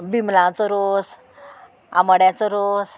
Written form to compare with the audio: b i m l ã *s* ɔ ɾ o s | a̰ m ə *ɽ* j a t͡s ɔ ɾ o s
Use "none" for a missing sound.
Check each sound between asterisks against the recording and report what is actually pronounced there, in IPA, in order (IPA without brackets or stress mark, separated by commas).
t͡s, ɽ